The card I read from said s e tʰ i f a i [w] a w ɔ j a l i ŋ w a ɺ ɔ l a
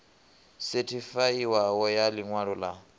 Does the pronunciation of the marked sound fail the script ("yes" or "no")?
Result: no